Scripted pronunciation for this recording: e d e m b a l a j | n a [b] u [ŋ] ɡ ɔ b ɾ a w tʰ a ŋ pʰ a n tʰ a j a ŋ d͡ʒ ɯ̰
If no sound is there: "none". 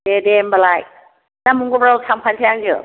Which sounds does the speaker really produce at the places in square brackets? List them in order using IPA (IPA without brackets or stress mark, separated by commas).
m, ŋ